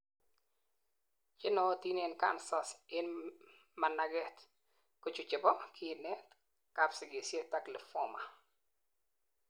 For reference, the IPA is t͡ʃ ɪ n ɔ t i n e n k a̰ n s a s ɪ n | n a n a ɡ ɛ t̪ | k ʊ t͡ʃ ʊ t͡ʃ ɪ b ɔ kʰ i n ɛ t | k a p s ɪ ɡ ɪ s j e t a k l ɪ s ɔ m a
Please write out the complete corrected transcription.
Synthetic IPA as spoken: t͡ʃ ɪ n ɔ t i n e n k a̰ n s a s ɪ n | m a n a ɡ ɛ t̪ | k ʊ t͡ʃ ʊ t͡ʃ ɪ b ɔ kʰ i n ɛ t | k a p s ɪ ɡ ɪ s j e t a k l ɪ f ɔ m a